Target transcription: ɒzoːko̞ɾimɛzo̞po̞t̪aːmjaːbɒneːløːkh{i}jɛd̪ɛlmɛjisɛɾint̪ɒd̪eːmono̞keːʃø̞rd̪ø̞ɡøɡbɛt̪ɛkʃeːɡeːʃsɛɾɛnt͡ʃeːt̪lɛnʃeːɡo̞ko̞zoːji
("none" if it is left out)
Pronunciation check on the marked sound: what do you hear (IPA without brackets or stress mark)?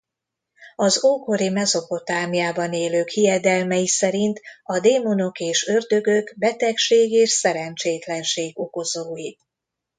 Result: i